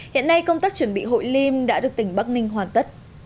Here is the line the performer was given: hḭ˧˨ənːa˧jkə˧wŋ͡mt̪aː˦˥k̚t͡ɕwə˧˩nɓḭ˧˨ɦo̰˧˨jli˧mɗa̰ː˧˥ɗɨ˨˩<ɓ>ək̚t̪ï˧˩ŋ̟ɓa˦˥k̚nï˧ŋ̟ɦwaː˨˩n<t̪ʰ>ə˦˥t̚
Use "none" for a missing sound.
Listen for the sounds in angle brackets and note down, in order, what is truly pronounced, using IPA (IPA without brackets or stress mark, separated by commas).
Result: none, t̪